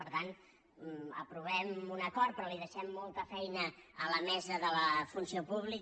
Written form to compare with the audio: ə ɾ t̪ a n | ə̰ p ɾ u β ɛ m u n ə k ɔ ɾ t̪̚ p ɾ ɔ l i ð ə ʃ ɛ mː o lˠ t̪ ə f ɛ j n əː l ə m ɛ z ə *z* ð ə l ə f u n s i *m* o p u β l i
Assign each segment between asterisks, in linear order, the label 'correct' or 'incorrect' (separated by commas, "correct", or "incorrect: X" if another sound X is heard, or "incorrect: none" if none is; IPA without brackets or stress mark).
incorrect: none, incorrect: none